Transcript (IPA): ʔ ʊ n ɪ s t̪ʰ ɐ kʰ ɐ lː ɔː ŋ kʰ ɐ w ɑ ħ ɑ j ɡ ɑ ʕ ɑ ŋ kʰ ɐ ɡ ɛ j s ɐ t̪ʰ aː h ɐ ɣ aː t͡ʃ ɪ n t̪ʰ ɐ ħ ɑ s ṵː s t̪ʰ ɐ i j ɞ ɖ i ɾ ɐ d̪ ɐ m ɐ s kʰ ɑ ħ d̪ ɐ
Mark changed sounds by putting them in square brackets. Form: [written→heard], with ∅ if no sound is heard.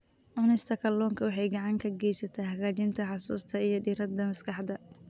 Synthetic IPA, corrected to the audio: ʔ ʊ n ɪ s t̪ʰ ɐ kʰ ɐ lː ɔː ŋ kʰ ɐ w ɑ ħ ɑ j ɡ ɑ ʕ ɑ ŋ kʰ ɐ ɡ ɛ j s ɐ t̪ʰ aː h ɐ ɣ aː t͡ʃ ɪ n t̪ʰ ɐ ħ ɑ s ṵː s t̪ʰ ɐ i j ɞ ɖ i ɾ ɐ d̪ ɐ m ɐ s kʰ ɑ ħ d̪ ɐ